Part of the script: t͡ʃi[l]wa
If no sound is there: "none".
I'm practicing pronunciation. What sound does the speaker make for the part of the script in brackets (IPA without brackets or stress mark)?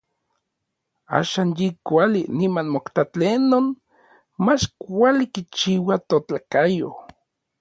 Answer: none